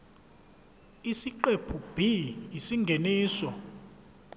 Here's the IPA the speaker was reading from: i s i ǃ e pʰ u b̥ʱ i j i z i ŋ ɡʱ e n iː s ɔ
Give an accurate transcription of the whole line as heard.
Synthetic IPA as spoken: i s i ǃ e pʰ u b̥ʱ i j i s i ŋ ɡʱ e n iː s ɔ